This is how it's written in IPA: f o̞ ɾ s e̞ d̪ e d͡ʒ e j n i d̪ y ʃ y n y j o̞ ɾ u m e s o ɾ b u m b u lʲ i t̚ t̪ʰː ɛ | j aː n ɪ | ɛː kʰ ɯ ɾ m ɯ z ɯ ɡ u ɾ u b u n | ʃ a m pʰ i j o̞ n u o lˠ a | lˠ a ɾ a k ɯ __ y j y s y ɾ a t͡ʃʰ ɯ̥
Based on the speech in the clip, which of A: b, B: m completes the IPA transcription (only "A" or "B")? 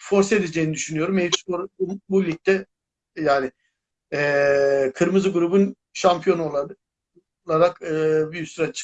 A